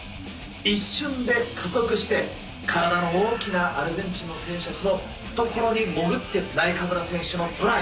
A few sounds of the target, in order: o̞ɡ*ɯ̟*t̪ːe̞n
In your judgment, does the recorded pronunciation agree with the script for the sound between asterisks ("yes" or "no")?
yes